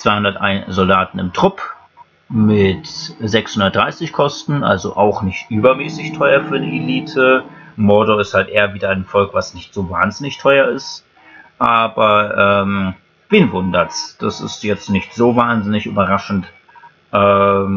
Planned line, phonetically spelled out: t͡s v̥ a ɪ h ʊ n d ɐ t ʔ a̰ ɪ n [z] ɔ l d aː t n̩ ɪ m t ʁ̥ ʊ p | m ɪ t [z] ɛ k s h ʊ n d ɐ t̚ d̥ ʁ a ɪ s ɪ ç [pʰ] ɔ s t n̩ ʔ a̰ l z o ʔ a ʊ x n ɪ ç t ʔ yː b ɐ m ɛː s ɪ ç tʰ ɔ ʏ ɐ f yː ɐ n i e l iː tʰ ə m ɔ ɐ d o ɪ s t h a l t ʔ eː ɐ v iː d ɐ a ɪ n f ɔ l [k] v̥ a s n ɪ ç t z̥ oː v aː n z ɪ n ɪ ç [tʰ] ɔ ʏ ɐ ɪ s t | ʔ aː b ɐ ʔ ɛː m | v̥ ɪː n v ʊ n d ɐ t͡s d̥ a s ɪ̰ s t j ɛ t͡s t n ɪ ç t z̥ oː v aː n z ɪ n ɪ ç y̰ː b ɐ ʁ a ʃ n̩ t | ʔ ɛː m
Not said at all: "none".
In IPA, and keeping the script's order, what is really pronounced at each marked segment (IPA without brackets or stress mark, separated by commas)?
z, z, kʰ, k, tʰ